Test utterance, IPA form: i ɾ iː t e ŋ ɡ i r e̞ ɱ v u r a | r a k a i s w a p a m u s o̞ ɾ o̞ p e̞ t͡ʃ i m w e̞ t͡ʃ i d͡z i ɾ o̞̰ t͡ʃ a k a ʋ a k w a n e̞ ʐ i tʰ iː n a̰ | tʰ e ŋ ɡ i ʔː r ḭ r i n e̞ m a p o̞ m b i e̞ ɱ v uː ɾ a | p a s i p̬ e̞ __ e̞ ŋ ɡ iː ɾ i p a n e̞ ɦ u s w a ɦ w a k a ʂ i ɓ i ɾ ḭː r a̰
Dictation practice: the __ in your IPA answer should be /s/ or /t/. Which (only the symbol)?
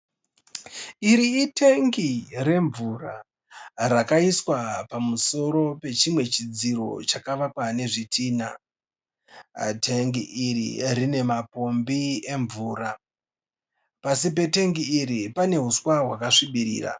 t